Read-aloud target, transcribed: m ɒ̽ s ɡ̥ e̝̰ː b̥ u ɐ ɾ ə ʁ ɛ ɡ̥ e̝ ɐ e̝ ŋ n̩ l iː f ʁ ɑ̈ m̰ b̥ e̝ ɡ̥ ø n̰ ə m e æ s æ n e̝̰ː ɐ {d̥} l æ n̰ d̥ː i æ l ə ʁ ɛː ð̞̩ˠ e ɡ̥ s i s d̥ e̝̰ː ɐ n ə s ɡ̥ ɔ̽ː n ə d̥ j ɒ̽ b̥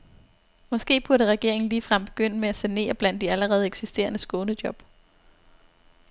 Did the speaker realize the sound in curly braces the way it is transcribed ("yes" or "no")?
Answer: no